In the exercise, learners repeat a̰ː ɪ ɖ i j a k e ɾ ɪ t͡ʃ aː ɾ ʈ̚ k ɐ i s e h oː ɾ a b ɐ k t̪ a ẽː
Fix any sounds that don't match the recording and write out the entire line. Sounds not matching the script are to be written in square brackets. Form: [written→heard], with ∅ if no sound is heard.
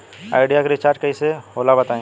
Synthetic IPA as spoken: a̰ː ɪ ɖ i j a k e ɾ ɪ t͡ʃ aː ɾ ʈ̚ k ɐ i s e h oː [ɾ→l] a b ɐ [k→∅] t̪ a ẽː